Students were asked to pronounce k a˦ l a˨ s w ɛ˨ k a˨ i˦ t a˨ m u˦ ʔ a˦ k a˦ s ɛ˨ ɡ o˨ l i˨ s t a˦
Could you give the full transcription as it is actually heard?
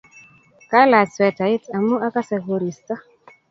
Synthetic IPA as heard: k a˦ l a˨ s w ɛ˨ t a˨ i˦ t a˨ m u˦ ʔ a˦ k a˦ s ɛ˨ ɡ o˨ ɾ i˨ s t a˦